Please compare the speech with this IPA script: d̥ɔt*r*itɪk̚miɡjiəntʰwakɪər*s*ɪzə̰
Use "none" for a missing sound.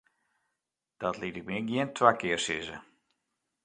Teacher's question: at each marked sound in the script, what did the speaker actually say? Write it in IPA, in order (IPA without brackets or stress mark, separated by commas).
l, s